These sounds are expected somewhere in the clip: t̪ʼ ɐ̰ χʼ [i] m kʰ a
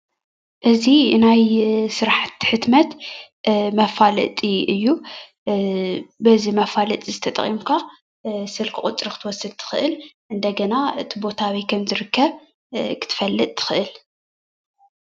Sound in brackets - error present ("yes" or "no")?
no